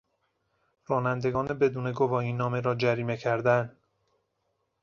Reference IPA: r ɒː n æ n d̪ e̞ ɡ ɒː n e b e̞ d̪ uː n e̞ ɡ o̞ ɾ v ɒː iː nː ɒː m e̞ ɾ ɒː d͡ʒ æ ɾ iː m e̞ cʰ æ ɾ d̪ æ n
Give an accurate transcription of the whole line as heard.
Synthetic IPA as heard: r ɒː n æ n d̪ e̞ ɡ ɒː n e b e̞ d̪ uː n e̞ ɡ o̞ v ɒː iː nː ɒː m e̞ ɾ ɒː d͡ʒ æ ɾ iː m e̞ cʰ æ ɾ d̪ æ n